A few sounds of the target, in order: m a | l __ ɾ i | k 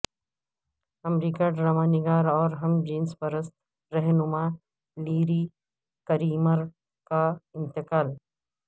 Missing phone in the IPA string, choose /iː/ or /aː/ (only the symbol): iː